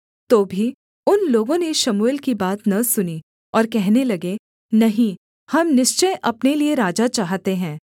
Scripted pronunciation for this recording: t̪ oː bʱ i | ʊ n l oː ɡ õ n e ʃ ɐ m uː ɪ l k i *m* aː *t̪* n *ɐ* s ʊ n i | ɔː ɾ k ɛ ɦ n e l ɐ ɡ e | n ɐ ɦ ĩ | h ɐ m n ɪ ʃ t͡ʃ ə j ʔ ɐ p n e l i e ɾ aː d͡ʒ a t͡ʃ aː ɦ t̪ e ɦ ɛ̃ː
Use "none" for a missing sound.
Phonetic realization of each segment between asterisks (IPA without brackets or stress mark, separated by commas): b, t̪, ɐ